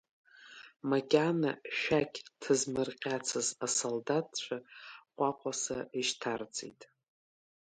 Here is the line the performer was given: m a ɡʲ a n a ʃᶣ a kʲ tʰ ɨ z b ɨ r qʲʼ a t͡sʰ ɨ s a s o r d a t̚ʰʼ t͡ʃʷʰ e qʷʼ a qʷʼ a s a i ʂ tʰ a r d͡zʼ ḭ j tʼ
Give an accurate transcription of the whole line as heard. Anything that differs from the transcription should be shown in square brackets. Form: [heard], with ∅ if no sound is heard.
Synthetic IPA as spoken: m a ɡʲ a n a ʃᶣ a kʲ tʰ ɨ z [m] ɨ r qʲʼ a t͡sʰ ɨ [z] a s o [l] d a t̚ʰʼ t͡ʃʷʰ [a] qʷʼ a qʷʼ a s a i [ʃ] tʰ a r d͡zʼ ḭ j tʼ